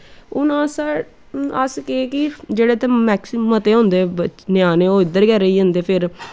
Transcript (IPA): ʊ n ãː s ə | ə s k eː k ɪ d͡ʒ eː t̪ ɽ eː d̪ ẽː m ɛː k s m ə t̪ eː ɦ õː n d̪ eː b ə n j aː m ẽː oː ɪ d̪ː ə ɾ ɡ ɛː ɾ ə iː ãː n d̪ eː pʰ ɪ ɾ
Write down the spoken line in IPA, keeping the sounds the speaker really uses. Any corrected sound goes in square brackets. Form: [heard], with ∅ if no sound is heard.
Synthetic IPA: ʊ n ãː s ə | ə s k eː k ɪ d͡ʒ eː [∅] ɽ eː [t̪] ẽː m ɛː k s m ə t̪ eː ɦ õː n d̪ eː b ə n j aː [n] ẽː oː ɪ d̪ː ə ɾ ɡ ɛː ɾ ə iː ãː n d̪ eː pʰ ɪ ɾ